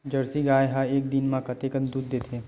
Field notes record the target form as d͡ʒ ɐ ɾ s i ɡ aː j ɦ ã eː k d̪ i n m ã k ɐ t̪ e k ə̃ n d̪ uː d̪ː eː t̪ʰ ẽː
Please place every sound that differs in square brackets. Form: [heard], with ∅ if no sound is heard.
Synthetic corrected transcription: d͡ʒ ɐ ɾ s i ɡ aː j ɦ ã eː k d̪ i n m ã k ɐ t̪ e k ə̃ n d̪ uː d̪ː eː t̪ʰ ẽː